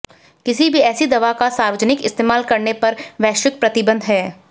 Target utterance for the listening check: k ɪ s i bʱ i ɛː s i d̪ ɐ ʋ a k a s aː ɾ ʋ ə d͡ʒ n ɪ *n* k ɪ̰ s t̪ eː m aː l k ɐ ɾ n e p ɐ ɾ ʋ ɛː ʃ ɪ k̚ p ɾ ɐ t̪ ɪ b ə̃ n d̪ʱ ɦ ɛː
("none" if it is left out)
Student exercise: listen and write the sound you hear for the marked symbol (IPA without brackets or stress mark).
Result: none